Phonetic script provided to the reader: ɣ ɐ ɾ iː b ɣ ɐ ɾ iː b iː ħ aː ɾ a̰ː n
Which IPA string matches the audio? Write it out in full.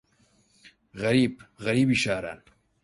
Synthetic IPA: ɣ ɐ ɾ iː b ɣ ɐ ɾ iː b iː ʃ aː ɾ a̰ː n